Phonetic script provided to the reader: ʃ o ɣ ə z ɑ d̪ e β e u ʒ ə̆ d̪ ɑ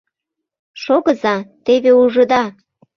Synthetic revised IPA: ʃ o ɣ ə z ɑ t̪ e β e u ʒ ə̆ d̪ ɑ